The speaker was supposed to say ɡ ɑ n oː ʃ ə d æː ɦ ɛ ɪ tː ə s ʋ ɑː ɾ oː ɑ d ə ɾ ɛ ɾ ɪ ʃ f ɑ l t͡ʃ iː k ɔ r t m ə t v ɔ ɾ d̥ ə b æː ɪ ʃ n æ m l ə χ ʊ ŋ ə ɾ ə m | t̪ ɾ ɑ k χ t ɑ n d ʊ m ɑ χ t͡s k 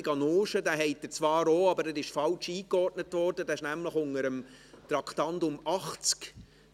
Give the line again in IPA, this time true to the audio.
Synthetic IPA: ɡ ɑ n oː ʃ ə d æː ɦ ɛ ɪ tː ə t͡s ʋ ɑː ɾ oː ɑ b ə ɾ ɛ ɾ ɪ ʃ f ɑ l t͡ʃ iː k ɔ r t n ə t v ɔ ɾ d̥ ə d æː ɪ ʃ n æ m l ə χ ʊ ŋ ə ɾ ə m | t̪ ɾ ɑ k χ t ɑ n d ʊ m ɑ χ t͡s k

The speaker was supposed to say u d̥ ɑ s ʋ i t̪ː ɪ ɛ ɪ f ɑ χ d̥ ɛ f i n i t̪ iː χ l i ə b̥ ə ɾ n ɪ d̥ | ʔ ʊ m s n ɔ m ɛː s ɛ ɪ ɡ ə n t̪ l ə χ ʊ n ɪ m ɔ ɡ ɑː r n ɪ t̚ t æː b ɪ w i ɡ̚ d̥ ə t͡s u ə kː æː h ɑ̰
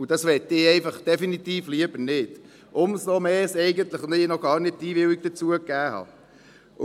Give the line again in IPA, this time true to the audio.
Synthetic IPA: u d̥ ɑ s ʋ ɛ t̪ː ɪ ɛ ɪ f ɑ χ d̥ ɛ f i n i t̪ iː f l i ə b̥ ə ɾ n ɪ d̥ | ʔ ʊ m s n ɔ m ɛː s ɛ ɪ ɡ ə n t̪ l ə χ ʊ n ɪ n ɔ ɡ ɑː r n ɪ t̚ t iː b ɪ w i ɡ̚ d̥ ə t͡s u ə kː æː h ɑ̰

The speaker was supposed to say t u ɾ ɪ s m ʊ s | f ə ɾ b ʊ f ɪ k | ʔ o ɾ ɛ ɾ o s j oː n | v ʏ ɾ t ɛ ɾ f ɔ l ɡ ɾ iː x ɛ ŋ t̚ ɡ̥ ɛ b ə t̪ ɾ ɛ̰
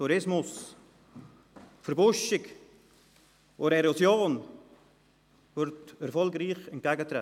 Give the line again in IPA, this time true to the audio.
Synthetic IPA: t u ɾ ɪ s m ʊ s | f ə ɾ b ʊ ʃ ɪ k | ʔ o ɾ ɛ ɾ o s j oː n | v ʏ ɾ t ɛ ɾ f ɔ l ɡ ɾ iː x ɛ n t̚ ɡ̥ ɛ ɡ ə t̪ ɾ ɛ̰

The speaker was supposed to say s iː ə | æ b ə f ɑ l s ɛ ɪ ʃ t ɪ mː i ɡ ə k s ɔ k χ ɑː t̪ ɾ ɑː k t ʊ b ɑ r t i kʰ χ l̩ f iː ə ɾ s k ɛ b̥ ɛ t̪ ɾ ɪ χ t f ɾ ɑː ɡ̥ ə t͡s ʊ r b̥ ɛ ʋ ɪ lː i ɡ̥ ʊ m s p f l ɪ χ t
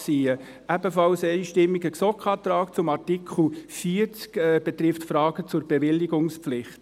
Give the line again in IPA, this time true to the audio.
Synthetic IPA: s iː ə | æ b ə f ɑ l s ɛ ɪ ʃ t ɪ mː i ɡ ə k s ɔ k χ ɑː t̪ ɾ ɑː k t͡s ʊ m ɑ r t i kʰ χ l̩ f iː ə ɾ t͡s k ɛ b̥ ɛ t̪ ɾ ɪ f t f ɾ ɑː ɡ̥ ə t͡s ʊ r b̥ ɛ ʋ ɪ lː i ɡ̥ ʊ ŋ s p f l ɪ χ t

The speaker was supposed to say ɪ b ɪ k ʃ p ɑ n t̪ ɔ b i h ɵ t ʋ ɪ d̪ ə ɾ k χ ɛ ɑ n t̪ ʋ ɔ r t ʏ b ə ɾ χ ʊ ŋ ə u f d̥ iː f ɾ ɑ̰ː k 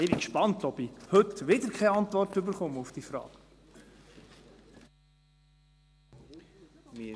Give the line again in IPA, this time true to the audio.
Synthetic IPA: ɪ b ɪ k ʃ p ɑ n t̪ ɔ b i h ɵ t ʋ ɪ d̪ ə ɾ k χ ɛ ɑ n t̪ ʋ ɔ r t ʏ b ə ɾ χ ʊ m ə u f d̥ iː f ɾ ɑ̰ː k

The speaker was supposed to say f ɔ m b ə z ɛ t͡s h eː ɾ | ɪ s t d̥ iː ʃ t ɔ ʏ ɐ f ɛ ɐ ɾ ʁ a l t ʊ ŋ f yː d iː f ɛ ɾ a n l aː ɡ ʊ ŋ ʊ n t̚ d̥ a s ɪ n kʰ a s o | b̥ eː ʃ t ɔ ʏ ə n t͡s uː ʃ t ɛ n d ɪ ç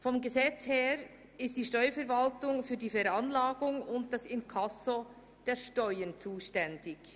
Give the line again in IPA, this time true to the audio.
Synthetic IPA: f ɔ m ɡ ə z ɛ t͡s h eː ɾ | ɪ s t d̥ iː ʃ t ɔ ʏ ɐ f ɛ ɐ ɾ v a l t ʊ ŋ f yː d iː f ɛ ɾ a n l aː ɡ ʊ ŋ ʊ n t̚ d̥ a s ɪ n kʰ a s o | d̥ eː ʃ t ɔ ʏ ə n t͡s uː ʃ t ɛ n d ɪ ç

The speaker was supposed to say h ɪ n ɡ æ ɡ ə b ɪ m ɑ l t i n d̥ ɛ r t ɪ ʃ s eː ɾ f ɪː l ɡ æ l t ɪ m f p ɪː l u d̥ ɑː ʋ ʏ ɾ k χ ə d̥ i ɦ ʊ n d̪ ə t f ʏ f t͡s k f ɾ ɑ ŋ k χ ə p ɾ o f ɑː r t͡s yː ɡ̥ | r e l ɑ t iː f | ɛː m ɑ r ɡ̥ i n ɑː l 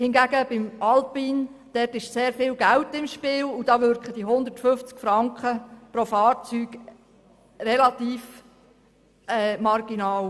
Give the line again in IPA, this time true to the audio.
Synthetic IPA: h ɪ n ɡ æ ɡ ə b ɪ m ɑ l p i n d̥ ɛ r t ɪ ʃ s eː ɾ f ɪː l ɡ æ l t ɪ m ʃ p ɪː l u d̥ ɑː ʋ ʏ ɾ k χ ə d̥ i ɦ ʊ n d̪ ə t f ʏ f t͡s k f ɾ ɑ ŋ k χ ə p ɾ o f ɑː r t͡s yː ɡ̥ | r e l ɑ t iː f | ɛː m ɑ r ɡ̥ i n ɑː l

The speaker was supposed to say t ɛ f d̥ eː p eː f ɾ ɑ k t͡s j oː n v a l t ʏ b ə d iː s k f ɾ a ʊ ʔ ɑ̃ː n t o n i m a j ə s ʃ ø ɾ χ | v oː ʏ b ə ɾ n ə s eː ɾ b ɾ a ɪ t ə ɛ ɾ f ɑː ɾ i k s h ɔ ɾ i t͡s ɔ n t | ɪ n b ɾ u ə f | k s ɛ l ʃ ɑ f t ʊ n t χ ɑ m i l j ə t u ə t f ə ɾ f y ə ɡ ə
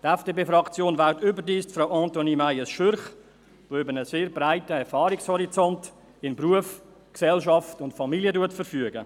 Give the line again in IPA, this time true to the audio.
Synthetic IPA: t ɛ f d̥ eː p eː f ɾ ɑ k t͡s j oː n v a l t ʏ b ə d iː s t f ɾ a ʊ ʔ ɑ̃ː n t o n i m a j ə s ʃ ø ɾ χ | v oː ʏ b ə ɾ n ə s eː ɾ b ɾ a ɪ t ə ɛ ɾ f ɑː ɾ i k s h ɔ ɾ i t͡s ɔ n t | ɪ n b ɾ u ə f | k s ɛ l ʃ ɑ f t ʊ n t f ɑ m i l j ə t u ə t f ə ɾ f y ə ɡ ə

